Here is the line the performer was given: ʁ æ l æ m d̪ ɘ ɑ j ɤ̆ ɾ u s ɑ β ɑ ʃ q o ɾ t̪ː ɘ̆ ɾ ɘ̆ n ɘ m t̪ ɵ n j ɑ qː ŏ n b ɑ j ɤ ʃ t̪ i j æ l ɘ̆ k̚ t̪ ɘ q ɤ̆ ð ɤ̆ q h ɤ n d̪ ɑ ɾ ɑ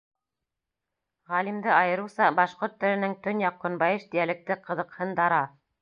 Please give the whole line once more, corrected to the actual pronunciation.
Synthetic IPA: ʁ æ l i m d̪ ɘ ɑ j ɤ̆ ɾ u s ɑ b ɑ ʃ q o ɾ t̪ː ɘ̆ ɾ ɘ̆ n ɘ ŋ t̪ ɵ n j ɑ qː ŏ n b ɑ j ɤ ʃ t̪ i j æ l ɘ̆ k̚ t̪ ɘ q ɤ̆ ð ɤ̆ q h ɤ n d̪ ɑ ɾ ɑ